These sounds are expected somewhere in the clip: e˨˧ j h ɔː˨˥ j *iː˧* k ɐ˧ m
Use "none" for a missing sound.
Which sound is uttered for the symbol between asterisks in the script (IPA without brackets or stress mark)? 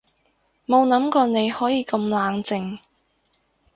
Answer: iː˧